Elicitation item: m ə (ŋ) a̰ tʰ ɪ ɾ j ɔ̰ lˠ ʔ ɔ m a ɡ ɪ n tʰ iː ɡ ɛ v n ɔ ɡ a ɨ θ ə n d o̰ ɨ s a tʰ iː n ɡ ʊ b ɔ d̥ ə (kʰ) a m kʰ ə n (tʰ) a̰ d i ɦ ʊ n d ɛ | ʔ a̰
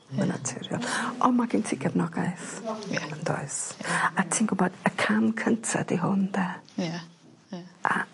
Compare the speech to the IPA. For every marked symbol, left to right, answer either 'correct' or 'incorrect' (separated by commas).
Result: incorrect, correct, correct